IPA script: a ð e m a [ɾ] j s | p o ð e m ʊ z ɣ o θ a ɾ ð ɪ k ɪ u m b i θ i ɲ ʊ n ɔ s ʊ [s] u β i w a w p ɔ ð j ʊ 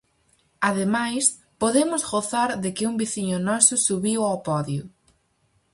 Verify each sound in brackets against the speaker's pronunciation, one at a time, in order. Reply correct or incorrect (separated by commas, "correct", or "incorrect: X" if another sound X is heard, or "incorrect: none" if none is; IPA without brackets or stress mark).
incorrect: none, correct